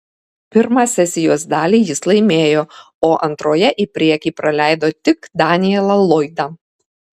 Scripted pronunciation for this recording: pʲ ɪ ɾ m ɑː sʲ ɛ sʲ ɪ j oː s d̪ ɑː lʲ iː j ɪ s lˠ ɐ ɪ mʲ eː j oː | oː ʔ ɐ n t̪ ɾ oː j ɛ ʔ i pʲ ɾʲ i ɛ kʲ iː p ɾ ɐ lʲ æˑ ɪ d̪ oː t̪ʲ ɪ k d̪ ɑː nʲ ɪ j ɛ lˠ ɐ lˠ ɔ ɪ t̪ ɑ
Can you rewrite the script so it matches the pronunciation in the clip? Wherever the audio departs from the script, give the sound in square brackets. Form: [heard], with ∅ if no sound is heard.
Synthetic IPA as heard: pʲ ɪ ɾ m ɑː sʲ ɛ sʲ ɪ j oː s d̪ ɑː lʲ iː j ɪ s lˠ ɐ ɪ mʲ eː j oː | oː ʔ ɐ n t̪ ɾ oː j ɛ ʔ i pʲ ɾʲ i ɛ kʲ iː p ɾ ɐ lʲ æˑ ɪ d̪ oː t̪ʲ ɪ k d̪ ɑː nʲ ɪ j ɛ lˠ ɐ lˠ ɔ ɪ [d̪] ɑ